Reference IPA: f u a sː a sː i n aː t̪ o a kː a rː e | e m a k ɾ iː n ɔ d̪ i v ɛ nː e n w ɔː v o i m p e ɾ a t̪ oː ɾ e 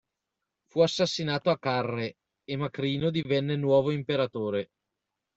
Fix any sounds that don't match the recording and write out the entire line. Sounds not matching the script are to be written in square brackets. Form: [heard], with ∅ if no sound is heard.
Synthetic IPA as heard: f u a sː a sː i n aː t̪ o a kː a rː e | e m a k ɾ iː n [o] d̪ i v ɛ nː e n w ɔː v o i m p e ɾ a t̪ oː ɾ e